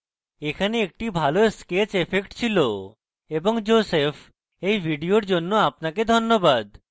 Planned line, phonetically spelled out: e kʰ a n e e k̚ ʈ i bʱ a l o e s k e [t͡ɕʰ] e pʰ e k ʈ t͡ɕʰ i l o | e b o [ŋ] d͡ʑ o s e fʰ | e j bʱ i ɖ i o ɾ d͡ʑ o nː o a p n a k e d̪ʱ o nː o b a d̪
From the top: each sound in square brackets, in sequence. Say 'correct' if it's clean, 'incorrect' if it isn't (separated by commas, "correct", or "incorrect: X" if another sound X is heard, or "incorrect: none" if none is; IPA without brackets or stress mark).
incorrect: t͡ɕ, correct